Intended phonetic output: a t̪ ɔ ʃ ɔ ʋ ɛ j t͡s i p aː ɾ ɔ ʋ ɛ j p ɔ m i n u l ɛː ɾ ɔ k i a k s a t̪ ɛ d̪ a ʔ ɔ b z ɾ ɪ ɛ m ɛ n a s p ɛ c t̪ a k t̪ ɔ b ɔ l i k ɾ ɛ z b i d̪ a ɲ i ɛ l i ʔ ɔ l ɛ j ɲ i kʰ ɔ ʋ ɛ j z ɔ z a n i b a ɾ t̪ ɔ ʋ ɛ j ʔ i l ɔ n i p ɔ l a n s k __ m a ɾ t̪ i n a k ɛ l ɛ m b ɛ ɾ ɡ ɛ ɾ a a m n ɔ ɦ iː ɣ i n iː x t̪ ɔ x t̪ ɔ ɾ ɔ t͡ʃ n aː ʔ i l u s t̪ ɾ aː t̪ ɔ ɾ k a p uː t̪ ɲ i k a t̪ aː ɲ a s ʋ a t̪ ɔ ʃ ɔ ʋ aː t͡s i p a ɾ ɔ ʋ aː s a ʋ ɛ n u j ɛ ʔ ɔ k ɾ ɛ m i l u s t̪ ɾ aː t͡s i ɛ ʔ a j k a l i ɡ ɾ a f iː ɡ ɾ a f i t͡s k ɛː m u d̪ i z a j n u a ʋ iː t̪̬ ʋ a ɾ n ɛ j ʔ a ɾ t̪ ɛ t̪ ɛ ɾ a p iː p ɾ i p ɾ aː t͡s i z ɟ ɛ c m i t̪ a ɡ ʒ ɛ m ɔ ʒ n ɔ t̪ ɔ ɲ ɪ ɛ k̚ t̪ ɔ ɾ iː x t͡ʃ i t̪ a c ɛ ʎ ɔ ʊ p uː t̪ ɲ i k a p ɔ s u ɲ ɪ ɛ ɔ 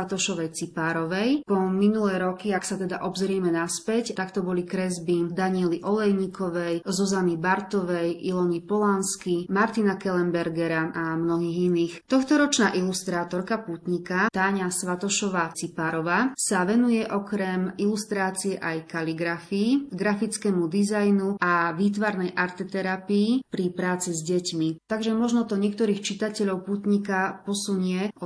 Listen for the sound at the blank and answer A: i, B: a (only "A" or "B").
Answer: A